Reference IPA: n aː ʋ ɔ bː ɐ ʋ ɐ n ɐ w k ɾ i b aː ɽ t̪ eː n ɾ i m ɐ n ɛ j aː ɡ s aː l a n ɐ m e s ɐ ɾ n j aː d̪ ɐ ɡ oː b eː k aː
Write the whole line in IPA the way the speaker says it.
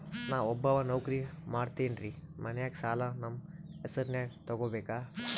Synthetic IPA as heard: n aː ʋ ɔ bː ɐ ʋ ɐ n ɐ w k ɾ i m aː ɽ t̪ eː n ɾ i m ɐ n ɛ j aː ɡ s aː l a n ɐ m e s ɐ ɾ n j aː t̪ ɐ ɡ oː b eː k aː